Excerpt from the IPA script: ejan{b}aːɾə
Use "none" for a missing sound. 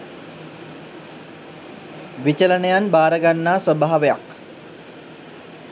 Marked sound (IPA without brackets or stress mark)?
b